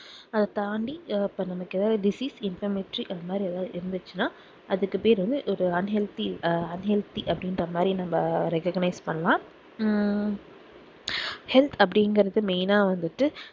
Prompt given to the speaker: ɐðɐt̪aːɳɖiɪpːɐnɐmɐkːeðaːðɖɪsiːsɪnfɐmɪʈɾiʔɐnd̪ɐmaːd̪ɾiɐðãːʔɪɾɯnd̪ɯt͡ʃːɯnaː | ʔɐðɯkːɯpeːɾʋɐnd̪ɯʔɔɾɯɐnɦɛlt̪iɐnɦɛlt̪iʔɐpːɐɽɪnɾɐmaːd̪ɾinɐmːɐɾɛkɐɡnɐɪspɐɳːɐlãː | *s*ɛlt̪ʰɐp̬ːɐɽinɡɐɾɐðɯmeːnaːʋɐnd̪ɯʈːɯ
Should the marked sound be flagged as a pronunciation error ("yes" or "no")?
yes